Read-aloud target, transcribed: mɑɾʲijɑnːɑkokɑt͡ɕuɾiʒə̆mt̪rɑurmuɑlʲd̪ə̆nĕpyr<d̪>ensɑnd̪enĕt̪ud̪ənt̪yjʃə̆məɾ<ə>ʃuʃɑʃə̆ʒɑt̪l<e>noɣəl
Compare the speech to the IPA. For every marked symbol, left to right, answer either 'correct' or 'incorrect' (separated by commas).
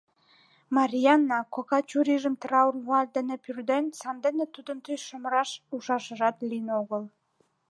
correct, incorrect, incorrect